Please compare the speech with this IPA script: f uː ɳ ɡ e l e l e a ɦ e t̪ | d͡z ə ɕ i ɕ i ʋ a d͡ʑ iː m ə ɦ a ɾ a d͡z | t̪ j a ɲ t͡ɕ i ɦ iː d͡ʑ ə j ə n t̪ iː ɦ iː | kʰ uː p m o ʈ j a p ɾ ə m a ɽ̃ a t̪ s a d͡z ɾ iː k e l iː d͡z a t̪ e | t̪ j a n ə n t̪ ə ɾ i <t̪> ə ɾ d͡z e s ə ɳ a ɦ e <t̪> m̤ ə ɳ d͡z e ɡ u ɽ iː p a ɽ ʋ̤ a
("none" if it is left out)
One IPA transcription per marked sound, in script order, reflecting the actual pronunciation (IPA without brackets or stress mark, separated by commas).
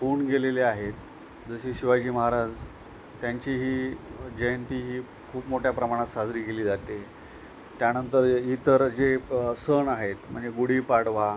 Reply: t̪, t̪